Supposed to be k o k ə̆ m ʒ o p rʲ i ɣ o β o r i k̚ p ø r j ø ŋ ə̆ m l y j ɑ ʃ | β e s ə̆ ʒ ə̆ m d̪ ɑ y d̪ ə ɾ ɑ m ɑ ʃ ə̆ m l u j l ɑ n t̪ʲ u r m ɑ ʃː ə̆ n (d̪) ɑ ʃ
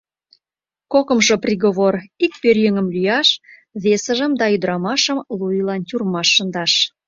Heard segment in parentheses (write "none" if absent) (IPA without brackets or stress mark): d̪